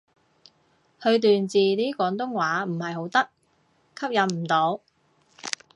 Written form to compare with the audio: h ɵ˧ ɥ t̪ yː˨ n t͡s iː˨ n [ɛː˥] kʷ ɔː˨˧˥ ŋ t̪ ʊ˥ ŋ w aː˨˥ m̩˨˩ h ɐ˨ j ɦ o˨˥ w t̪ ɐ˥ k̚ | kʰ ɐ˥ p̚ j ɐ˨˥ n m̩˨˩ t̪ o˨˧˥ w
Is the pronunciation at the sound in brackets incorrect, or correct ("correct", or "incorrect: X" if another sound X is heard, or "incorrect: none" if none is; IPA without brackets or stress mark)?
incorrect: iː˥